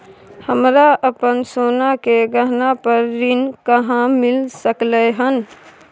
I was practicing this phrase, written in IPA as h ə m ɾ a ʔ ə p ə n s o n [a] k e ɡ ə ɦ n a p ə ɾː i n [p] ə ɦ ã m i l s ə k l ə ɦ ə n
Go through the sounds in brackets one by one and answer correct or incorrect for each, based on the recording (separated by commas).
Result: correct, incorrect